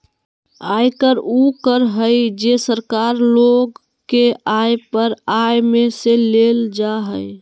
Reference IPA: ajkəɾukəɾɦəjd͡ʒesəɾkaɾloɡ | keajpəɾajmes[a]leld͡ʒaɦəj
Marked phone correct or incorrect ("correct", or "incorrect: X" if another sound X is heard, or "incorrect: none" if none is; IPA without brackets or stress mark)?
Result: incorrect: e